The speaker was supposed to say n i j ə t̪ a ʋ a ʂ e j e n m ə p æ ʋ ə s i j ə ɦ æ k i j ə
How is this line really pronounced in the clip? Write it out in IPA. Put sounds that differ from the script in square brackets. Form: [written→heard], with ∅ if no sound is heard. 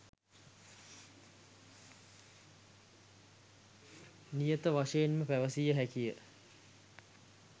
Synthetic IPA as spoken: n i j ə t̪ [a→ə] ʋ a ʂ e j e n m ə p æ ʋ ə s i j ə ɦ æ k i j ə